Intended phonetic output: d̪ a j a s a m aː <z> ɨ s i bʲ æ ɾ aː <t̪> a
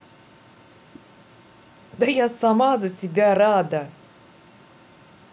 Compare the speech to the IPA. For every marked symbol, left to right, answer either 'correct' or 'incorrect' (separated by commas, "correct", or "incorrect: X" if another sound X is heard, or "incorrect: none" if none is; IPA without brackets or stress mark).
correct, incorrect: d̪